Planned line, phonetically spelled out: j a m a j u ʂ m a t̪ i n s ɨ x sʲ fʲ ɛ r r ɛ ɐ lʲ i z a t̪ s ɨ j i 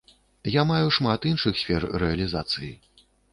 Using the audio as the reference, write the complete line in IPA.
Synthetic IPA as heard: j a m a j u ʂ m a t̪ i n ʂ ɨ x sʲ fʲ ɛ r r ɛ ɐ lʲ i z a t̪ s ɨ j i